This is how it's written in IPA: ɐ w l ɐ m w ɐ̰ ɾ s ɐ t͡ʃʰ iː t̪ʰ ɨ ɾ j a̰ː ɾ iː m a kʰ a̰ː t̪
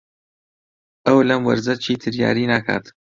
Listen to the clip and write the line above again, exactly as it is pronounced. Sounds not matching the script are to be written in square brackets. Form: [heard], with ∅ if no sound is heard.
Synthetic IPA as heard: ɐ w l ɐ m w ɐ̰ ɾ [z] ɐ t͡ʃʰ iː t̪ʰ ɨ ɾ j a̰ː ɾ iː [n] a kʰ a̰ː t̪